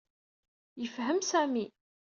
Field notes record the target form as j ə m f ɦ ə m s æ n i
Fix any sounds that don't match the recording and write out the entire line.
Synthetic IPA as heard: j ə f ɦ ə m s æ m i